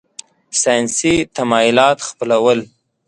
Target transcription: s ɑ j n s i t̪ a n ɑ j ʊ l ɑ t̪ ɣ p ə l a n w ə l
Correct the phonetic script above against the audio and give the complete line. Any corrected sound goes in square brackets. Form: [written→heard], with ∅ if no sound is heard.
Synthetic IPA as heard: s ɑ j n s i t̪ a [n→m] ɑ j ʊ l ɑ t̪ [ɣ→x] p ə l a [n→∅] w ə l